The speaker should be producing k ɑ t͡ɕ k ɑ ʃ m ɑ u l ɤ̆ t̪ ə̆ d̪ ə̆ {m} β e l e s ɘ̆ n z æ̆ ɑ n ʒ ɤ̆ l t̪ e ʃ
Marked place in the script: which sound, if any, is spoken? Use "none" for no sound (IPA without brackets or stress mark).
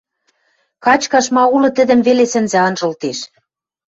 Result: m